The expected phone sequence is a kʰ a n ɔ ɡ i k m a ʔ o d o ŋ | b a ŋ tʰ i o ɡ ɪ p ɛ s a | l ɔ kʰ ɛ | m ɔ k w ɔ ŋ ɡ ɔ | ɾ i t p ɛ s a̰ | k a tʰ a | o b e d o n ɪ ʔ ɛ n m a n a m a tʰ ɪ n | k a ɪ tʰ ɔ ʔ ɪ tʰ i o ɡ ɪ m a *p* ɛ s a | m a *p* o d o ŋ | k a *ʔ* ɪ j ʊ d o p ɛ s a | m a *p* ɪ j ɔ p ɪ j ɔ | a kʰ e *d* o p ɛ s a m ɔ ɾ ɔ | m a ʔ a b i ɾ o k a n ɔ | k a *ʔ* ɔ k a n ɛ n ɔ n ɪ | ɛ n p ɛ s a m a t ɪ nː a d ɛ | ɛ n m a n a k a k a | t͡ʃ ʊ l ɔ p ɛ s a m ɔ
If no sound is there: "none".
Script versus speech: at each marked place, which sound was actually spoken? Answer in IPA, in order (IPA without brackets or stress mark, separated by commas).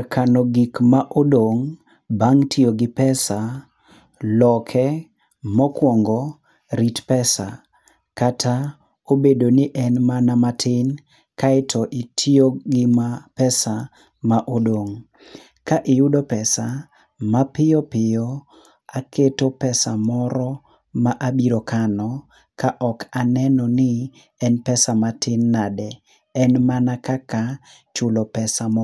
p, ʔ, ʔ, p, t, ʔ